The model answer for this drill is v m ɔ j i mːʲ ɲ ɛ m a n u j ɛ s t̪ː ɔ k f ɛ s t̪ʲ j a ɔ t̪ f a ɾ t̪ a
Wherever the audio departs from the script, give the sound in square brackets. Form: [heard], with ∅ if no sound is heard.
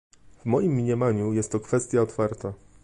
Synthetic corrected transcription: v m ɔ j i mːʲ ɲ ɛ m a [ɲ] u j ɛ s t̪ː ɔ k f ɛ s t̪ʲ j a ɔ t̪ f a ɾ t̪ a